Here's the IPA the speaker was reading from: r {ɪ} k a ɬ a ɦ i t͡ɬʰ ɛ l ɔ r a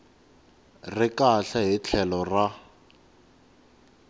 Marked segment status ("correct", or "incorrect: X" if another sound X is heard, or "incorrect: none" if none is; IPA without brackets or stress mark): correct